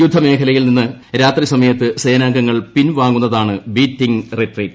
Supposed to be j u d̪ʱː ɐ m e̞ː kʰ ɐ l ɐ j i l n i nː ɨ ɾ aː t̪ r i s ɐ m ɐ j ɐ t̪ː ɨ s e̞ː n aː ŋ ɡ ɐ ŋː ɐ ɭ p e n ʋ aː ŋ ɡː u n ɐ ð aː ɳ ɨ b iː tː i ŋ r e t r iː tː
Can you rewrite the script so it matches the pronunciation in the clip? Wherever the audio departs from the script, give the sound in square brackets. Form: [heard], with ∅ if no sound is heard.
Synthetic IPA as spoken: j u d̪ʱː ɐ m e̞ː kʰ ɐ l ɐ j i l n i nː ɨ ɾ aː t̪ r i s ɐ m ɐ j ɐ t̪ː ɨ s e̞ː n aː ŋ ɡ ɐ ŋː ɐ ɭ p [i] n ʋ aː ŋ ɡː u [nː] ɐ ð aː ɳ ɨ b iː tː i ŋ r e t r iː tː